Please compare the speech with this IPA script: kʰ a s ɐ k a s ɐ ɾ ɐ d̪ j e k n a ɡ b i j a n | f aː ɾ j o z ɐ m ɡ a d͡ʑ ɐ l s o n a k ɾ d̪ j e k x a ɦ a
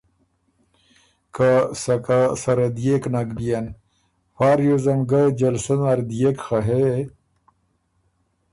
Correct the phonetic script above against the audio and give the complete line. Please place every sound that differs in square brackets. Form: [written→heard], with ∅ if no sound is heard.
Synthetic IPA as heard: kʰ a s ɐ k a s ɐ ɾ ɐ d̪ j e k n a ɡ b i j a n | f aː ɾ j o z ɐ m ɡ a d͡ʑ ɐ l s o n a [k→∅] ɾ d̪ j e k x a ɦ [a→e]